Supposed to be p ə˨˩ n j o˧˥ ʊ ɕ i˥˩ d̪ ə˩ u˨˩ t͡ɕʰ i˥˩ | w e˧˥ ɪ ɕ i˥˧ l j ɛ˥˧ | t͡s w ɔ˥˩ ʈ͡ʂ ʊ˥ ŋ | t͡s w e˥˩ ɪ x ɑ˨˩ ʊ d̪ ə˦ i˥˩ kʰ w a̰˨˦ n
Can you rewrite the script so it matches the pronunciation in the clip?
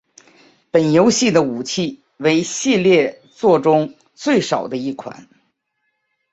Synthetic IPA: p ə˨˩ n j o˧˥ ʊ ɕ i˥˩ d̪ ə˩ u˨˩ t͡ɕʰ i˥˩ | w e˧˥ ɪ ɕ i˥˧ l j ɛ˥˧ | t͡s w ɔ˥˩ ʈ͡ʂ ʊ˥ ŋ | t͡s w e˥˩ ɪ ʂ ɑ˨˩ ʊ d̪ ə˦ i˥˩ kʰ w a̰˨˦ n